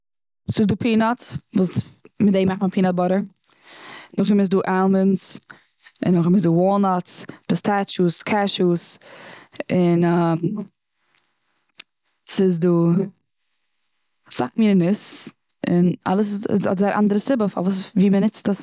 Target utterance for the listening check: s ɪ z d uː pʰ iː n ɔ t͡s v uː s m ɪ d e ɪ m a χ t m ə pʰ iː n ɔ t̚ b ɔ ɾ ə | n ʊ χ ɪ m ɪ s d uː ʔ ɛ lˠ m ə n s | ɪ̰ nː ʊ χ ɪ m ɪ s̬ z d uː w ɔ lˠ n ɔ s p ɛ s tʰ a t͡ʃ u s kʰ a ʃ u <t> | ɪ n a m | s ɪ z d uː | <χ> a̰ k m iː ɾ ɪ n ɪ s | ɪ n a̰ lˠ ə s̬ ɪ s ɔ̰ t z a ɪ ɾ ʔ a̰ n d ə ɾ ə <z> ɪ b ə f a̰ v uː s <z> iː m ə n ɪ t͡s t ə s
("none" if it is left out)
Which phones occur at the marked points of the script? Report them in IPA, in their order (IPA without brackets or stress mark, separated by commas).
s, s, s, v